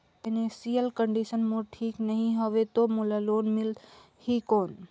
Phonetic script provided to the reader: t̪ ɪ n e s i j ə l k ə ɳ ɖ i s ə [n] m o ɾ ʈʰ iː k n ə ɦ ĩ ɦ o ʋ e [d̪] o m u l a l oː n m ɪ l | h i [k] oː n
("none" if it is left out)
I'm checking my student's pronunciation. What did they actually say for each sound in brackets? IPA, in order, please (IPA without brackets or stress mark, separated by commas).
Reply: n, t̪, k